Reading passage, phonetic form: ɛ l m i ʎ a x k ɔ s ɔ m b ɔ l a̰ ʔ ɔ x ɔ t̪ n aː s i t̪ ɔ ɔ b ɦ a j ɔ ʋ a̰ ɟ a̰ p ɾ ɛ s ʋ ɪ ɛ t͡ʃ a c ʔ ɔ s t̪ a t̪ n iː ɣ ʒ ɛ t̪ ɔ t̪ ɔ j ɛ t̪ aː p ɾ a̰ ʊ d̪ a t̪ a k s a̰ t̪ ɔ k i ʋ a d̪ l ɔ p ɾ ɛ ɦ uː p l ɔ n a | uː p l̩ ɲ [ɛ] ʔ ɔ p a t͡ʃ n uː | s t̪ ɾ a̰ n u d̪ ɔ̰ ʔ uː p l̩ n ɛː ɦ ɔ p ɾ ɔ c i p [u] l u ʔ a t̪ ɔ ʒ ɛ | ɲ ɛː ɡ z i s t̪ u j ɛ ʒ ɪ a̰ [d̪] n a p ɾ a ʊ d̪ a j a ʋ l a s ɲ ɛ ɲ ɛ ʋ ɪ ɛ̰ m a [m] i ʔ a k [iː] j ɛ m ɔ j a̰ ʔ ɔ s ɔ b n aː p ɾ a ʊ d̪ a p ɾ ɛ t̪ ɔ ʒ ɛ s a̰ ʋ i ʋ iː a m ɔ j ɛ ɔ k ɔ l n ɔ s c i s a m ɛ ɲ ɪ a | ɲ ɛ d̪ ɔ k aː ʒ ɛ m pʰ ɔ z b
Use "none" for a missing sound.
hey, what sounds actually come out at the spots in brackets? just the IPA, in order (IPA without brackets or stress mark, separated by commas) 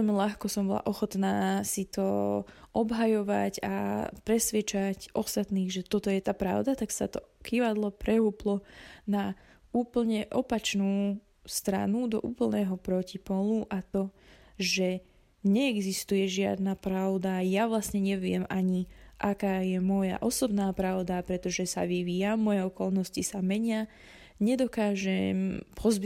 ɛ, ɔ, d̪, ɲ, aː